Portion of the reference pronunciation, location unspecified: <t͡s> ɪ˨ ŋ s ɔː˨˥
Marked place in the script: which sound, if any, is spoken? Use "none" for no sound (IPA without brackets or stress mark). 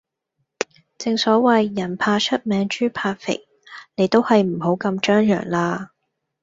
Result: t͡s